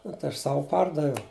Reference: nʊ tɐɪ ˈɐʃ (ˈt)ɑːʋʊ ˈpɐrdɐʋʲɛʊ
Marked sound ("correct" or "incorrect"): incorrect